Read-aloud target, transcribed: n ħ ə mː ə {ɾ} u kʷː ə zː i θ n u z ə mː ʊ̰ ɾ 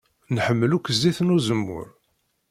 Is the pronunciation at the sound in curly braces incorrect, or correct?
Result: incorrect